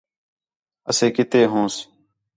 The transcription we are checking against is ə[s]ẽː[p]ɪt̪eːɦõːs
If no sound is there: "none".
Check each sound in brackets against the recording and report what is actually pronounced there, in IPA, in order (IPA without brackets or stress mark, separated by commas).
s, k